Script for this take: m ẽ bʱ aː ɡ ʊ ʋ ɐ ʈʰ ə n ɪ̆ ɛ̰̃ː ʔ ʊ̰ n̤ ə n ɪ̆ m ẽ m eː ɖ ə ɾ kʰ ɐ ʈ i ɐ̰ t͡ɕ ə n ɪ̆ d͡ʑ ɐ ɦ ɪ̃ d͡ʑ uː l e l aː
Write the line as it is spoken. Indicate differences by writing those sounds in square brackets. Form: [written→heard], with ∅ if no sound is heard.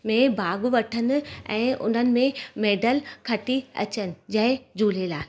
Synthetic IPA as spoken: m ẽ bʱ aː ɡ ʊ ʋ ɐ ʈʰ ə n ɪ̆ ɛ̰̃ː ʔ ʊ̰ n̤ ə n ɪ̆ m ẽ m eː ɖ ə [ɾ→l] kʰ ɐ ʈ i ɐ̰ t͡ɕ ə n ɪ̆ d͡ʑ ɐ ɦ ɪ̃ d͡ʑ uː l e l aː